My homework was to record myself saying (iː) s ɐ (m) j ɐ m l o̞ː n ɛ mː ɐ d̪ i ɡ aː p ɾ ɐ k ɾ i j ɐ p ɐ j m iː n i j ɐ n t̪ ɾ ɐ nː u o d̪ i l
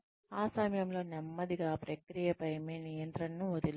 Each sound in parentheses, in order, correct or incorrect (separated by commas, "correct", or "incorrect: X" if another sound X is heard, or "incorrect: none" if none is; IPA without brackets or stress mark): incorrect: aː, correct